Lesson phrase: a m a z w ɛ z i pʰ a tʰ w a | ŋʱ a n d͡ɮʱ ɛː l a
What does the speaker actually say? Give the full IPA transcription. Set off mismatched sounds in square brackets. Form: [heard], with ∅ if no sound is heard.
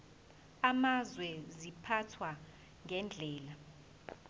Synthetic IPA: a m a z w ɛ z i pʰ a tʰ w a | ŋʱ [ɛ] n d͡ɮʱ ɛː l a